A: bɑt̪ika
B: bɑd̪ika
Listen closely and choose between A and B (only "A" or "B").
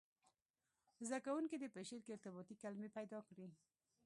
A